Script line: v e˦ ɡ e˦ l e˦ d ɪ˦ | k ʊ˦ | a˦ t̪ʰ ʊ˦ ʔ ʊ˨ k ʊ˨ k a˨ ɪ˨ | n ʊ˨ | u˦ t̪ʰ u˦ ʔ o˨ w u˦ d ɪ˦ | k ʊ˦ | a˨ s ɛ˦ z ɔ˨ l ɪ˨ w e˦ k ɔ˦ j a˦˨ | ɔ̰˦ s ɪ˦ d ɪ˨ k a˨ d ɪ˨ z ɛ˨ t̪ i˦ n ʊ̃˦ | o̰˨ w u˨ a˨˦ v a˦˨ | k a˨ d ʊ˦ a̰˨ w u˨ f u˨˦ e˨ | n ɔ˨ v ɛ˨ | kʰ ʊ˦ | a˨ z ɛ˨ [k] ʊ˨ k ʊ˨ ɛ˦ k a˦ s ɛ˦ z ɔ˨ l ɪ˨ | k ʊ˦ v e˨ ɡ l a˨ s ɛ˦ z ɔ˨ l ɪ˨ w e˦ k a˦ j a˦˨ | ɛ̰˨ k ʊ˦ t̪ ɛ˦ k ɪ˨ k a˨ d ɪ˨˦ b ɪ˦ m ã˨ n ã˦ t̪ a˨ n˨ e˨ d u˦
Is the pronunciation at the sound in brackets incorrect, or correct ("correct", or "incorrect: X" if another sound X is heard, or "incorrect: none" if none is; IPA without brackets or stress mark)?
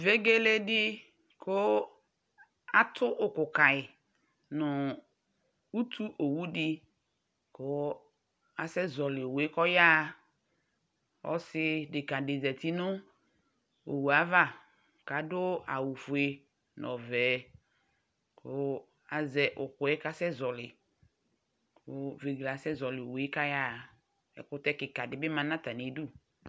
incorrect: ʔ